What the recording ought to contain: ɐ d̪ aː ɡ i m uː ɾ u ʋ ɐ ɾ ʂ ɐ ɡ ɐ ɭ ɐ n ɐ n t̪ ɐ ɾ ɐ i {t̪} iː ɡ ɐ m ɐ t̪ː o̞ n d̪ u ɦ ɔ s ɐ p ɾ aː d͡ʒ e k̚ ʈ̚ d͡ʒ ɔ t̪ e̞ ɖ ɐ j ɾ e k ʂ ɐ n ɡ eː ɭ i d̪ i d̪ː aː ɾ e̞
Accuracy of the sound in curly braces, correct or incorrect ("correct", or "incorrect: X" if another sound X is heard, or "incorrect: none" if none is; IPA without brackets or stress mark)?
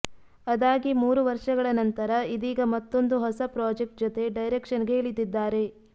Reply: incorrect: d̪